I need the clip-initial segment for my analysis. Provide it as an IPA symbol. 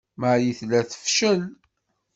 m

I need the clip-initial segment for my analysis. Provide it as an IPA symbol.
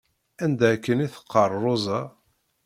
æ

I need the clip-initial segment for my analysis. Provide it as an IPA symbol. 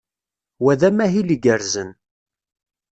w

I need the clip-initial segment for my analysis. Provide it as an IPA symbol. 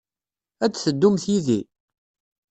æ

